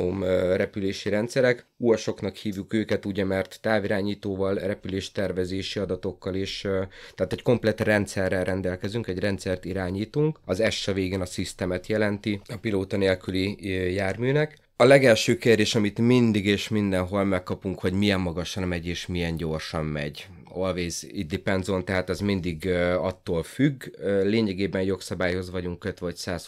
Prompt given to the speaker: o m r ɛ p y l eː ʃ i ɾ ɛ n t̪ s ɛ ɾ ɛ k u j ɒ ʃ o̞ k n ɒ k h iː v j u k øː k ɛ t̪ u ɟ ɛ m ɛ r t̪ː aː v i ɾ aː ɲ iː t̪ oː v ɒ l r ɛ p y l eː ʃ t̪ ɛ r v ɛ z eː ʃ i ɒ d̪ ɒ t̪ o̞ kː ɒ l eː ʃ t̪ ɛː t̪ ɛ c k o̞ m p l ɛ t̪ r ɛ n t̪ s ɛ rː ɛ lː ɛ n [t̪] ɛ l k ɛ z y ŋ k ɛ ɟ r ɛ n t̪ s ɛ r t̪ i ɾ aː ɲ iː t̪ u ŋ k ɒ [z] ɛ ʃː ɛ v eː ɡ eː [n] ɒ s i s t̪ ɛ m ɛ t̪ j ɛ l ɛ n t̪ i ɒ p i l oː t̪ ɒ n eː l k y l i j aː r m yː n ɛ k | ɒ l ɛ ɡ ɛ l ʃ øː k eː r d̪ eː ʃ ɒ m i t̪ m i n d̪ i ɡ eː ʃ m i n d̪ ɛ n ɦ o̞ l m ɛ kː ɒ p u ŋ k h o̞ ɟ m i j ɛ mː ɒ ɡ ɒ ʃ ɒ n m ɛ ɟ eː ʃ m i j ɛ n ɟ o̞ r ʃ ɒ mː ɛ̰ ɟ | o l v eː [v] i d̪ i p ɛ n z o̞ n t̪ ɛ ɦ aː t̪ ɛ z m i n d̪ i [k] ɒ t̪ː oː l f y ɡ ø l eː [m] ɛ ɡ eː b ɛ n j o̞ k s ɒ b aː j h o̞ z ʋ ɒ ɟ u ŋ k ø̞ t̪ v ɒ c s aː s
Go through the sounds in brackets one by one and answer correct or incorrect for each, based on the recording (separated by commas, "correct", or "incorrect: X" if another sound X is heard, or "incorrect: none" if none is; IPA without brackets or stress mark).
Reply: incorrect: d̪, correct, correct, incorrect: z, incorrect: ɡ, incorrect: ɲ